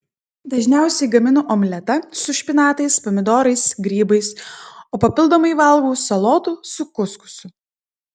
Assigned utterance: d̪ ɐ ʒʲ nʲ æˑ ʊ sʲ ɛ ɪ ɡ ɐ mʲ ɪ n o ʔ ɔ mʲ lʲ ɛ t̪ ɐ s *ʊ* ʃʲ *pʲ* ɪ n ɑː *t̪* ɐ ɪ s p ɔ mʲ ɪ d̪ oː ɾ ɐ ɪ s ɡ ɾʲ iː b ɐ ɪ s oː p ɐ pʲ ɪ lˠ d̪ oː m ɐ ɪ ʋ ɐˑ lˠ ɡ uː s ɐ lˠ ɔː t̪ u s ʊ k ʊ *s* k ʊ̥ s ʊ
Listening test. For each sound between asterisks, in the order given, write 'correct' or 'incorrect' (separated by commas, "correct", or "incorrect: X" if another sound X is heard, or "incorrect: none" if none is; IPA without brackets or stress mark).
correct, correct, correct, correct